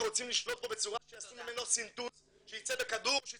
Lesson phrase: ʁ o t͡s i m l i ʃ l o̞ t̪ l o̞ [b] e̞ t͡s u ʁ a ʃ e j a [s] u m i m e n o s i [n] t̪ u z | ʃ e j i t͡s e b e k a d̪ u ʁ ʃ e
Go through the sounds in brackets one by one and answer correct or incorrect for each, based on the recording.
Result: correct, correct, correct

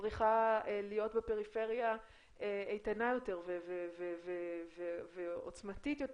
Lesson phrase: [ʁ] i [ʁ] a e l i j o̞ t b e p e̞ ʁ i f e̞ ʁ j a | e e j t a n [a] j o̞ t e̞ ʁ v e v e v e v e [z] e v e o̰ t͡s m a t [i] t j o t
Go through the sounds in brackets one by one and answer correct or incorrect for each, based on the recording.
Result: correct, incorrect, correct, incorrect, correct

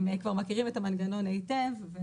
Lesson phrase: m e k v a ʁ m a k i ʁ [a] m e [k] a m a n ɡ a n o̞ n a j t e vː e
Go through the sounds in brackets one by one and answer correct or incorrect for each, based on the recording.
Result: incorrect, incorrect

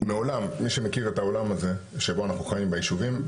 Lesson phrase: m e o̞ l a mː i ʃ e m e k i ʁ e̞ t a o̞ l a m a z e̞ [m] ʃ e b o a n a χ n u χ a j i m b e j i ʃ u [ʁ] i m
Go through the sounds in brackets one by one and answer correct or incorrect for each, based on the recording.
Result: incorrect, incorrect

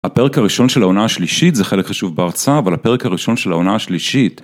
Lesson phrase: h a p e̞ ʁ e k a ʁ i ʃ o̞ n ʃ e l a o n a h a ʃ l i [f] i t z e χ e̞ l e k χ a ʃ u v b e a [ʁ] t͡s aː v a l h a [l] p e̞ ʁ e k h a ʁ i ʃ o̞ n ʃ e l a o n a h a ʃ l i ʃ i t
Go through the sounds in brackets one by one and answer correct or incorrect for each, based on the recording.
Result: incorrect, correct, incorrect

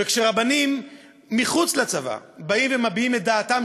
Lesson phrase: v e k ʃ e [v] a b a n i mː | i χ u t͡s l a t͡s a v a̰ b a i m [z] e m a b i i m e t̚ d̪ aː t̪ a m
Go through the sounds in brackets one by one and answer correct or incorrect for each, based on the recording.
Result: incorrect, incorrect

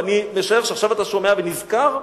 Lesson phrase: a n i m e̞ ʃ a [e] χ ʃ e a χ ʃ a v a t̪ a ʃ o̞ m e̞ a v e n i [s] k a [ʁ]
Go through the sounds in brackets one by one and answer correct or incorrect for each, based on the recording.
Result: correct, incorrect, correct

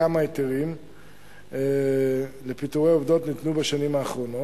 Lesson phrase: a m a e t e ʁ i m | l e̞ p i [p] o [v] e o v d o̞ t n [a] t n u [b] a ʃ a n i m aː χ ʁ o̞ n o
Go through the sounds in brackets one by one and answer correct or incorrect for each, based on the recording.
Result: incorrect, incorrect, incorrect, correct

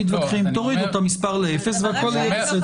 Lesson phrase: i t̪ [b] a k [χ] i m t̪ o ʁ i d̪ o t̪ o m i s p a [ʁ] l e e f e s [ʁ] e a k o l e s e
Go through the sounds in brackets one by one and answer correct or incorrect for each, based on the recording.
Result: incorrect, correct, correct, incorrect

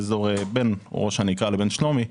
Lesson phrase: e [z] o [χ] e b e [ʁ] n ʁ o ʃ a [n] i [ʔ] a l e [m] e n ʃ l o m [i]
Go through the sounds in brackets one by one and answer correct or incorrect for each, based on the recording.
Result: correct, incorrect, incorrect, correct, incorrect, incorrect, correct

